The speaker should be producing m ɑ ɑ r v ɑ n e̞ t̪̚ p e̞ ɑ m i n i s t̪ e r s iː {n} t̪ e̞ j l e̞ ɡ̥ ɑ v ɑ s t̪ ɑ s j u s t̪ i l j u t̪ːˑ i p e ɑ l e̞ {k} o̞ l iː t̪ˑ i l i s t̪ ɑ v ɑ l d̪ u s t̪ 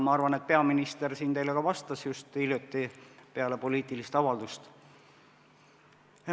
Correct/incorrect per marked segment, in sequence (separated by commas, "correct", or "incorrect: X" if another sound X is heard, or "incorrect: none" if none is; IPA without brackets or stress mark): correct, incorrect: p